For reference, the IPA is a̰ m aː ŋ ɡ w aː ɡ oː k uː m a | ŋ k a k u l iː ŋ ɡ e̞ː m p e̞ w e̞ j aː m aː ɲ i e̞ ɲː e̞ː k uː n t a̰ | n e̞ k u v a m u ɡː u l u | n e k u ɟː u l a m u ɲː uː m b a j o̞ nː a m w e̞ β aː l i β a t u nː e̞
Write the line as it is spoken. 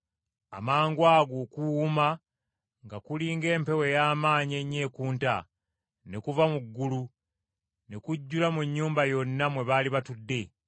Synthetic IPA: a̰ m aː ŋ ɡ w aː ɡ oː k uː m a | ŋ ɡ a k u l iː ŋ ɡ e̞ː m p e̞ w e̞ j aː m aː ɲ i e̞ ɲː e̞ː k uː n t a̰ | n e̞ k u v a m u ɡː u l u | n e k u ɟː u l a m u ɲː uː m b a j o̞ nː a m w e̞ β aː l i β a t u dː e̞